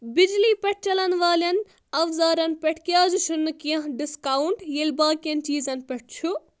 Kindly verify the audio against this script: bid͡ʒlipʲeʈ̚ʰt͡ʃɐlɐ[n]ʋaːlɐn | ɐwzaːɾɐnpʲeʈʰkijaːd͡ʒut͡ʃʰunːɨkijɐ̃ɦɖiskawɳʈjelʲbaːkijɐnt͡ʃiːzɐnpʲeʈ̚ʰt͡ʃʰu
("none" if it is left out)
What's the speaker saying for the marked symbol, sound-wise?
n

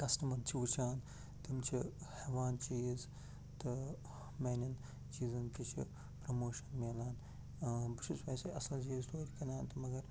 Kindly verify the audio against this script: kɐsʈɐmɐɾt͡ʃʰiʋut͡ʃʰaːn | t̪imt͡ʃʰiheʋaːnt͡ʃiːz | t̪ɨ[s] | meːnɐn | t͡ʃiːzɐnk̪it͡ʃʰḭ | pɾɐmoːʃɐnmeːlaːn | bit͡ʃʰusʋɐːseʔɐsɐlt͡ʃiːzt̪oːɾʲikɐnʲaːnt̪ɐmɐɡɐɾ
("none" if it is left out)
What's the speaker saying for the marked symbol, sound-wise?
none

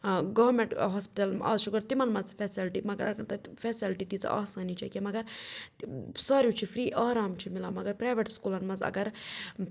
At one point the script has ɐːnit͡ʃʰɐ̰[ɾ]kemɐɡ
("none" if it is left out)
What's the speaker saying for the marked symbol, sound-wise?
none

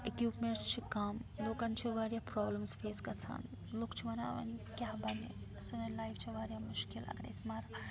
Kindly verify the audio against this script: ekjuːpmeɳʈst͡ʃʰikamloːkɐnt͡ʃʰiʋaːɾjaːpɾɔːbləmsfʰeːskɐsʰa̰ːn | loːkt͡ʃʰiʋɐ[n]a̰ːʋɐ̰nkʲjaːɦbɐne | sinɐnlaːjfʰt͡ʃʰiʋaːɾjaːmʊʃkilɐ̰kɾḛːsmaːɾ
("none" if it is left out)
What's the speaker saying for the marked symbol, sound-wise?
n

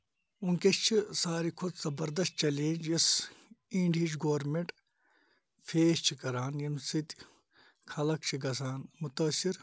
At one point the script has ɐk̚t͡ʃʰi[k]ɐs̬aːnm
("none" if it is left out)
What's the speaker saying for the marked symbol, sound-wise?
ɡ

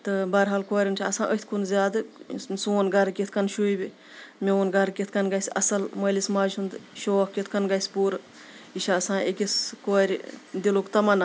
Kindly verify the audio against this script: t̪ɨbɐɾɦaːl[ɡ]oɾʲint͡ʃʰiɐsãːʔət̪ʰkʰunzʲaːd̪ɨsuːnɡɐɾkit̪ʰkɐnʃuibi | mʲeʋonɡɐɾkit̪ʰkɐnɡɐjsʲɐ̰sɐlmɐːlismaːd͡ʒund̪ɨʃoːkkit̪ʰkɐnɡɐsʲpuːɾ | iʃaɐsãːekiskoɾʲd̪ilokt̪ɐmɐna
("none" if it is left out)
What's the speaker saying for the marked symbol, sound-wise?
k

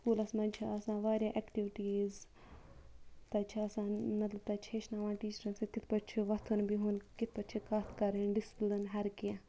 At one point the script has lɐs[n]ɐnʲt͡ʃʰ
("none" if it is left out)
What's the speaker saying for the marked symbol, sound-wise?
m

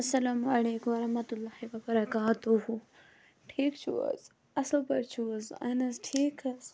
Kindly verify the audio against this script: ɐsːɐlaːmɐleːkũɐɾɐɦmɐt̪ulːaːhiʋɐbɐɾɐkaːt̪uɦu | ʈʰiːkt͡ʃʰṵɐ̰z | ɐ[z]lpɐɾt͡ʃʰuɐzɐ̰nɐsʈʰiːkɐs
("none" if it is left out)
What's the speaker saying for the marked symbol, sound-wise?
s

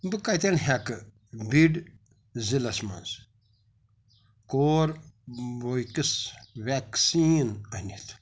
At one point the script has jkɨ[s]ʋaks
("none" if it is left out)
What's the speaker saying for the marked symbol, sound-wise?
s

